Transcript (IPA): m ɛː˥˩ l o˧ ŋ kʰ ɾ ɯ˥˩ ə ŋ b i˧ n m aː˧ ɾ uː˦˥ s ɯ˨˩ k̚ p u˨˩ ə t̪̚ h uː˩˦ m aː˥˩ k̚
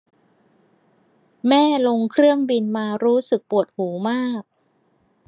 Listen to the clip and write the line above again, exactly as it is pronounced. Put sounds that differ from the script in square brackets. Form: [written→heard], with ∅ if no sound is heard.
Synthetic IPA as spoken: m ɛː˥˩ l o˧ ŋ kʰ ɾ ɯ˥˩ ə ŋ b i˧ n m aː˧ ɾ uː˦˥ s ɯ˨˩ k̚ p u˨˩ ə t̪̚ h uː˩˦ m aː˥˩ k̚